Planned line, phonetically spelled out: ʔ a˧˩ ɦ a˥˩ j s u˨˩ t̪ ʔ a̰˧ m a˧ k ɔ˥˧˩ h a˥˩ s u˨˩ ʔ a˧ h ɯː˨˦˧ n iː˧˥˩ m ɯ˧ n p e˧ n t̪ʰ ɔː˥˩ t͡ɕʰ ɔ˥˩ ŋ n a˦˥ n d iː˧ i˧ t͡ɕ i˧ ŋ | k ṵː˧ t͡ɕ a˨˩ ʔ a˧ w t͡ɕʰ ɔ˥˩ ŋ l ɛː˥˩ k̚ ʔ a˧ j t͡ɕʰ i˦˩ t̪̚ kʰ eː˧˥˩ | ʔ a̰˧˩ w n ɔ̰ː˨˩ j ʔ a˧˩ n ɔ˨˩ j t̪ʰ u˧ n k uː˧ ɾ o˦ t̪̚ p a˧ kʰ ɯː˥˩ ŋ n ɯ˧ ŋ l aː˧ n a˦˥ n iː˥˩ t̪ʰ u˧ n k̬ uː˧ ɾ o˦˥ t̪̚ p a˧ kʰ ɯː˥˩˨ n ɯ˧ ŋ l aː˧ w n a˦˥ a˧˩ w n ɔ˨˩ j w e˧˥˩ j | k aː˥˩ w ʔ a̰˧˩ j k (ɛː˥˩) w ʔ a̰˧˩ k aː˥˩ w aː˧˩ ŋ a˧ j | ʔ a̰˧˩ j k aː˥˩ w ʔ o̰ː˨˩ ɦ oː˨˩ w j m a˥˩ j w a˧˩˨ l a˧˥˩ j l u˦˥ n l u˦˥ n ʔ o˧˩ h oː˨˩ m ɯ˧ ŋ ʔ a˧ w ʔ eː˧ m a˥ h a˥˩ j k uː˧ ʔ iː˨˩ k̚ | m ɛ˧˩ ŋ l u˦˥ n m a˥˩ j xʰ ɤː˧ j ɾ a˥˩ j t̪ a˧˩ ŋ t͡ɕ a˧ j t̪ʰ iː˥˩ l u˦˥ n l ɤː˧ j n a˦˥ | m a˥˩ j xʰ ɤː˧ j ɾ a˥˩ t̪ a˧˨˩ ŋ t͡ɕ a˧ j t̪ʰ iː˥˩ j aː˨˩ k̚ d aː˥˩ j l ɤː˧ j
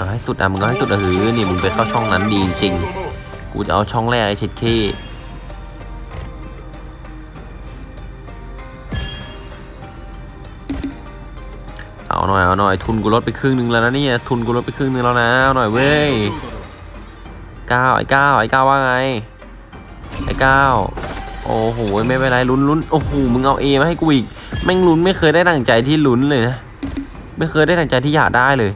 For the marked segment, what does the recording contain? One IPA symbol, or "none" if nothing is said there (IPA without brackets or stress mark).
aː˥˩